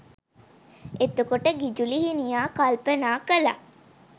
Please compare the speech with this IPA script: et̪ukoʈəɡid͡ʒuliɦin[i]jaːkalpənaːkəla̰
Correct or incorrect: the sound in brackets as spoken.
correct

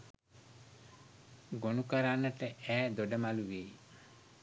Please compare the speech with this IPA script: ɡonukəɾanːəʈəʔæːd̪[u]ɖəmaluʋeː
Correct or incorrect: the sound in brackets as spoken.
incorrect: o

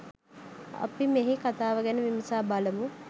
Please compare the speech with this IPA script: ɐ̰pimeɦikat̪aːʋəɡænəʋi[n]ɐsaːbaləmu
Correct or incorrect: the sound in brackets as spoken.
incorrect: m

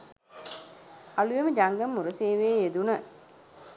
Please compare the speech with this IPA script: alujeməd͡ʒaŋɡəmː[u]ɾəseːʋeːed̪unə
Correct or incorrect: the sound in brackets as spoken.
correct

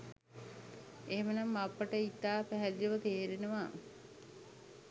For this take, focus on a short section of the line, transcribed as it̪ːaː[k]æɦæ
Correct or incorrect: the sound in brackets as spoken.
incorrect: p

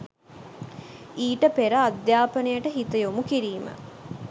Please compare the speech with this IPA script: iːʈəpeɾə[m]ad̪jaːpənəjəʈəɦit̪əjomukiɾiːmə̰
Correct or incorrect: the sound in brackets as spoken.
incorrect: none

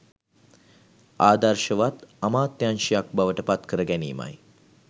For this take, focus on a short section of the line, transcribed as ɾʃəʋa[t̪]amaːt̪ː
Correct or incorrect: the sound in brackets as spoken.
correct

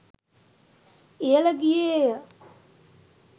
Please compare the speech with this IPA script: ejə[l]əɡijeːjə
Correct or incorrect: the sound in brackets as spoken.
correct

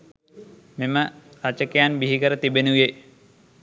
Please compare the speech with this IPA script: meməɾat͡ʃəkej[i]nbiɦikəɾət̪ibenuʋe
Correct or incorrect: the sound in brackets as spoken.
incorrect: a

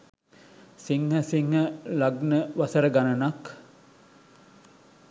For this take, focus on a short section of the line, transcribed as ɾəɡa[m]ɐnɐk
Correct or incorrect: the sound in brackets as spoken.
incorrect: n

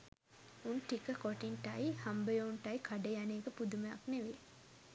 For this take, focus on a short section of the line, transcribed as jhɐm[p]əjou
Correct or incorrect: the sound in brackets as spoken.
incorrect: b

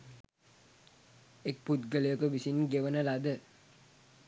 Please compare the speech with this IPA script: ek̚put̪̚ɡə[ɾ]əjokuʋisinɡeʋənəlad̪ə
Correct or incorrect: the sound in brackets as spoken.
incorrect: l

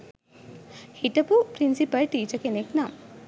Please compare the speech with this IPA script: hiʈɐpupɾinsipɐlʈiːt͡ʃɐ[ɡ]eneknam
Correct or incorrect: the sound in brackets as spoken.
incorrect: k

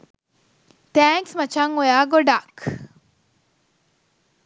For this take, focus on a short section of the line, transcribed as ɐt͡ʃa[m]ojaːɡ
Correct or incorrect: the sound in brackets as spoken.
incorrect: ŋ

